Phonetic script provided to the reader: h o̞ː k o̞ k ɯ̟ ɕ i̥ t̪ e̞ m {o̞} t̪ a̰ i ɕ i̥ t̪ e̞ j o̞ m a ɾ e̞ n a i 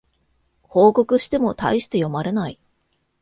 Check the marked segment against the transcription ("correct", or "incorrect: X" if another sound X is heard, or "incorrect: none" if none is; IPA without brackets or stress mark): correct